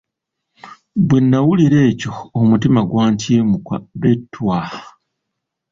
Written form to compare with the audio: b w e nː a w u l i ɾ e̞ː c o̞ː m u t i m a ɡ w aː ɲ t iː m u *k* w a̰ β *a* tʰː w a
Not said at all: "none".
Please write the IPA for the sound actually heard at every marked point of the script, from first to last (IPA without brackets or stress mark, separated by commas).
k, e